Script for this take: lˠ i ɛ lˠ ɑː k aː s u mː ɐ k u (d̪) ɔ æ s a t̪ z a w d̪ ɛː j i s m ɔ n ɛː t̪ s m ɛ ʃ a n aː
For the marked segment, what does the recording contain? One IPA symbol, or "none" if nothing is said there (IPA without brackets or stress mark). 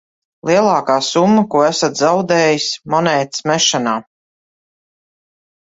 none